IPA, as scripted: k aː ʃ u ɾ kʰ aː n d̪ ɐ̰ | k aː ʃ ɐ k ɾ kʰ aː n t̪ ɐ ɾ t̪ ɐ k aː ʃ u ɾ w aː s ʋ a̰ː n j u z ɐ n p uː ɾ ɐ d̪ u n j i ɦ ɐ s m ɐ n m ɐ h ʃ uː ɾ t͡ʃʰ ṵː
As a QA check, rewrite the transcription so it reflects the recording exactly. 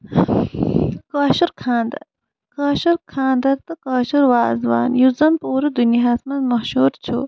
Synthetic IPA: k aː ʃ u ɾ kʰ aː n d̪ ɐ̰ | k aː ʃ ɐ ɾ kʰ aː n d̪ ɐ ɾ t̪ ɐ k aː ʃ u ɾ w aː z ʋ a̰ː n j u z ɐ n p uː ɾ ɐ d̪ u n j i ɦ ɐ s m ɐ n m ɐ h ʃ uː ɾ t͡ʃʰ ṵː